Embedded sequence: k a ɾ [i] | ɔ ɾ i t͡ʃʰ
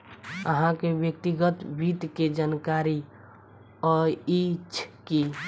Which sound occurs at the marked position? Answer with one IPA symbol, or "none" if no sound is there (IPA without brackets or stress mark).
i